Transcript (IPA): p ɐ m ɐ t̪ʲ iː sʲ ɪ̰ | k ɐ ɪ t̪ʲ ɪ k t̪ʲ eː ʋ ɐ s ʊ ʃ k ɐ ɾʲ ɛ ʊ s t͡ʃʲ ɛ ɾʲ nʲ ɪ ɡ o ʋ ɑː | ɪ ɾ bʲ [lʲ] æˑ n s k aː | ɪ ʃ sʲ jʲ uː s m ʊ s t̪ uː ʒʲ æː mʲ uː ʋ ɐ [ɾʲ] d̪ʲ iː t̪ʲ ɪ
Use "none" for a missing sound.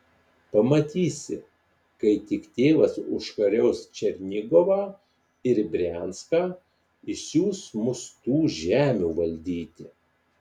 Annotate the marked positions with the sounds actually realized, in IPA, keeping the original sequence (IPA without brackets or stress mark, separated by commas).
ɾʲ, lʲ